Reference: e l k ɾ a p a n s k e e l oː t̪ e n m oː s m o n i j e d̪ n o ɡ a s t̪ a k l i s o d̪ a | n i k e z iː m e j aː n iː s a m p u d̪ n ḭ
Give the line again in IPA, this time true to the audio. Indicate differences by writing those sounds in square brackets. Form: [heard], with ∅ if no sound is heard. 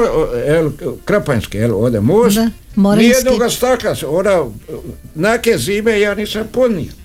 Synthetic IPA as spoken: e l k ɾ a p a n s k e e l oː [d̪] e [∅] m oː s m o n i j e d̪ n o ɡ a s t̪ a k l [a] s o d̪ a | n [a] k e z iː m e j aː n iː s a m p [o] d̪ n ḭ